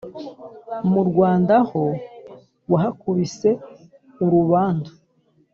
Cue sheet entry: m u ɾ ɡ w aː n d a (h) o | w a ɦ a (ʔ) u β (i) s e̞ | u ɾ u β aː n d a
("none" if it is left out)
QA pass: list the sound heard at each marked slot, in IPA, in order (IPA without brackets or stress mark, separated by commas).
h, k, i